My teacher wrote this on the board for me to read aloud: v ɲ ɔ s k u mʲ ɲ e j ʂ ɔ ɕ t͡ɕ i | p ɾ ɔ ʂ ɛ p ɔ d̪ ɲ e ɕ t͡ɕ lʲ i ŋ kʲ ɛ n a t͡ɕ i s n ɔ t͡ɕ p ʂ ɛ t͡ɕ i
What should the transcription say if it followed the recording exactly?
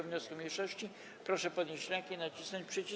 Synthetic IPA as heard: v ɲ ɔ s k u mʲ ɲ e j ʂ ɔ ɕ t͡ɕ i | p ɾ ɔ ʂ ɛ p ɔ d̪ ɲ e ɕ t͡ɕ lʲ ɛ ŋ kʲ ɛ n a t͡ɕ i s n ɔ t͡ɕ p ʂ ɛ t͡ɕ i